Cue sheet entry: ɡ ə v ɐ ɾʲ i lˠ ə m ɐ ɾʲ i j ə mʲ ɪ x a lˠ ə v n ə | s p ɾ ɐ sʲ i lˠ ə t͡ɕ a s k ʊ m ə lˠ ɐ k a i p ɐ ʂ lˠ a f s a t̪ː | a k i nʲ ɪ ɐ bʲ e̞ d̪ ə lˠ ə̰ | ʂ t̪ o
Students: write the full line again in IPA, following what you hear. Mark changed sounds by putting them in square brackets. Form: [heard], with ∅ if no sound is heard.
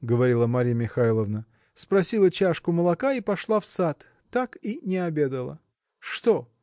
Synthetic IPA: ɡ ə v ɐ ɾʲ i lˠ ə m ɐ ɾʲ i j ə mʲ ɪ x a lˠ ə v n ə | s p ɾ ɐ sʲ i lˠ ə t͡ɕ a [ʂ] k ʊ m ə lˠ ɐ k a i p ɐ ʂ lˠ a f s a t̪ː | a k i nʲ ɪ ɐ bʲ e̞ d̪ ə lˠ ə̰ | ʂ t̪ o